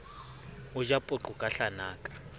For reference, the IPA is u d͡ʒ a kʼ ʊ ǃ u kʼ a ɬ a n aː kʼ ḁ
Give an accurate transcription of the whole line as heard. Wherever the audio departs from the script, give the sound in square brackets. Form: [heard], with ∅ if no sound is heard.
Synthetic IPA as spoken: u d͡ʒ a [pʼ] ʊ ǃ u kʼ a ɬ a n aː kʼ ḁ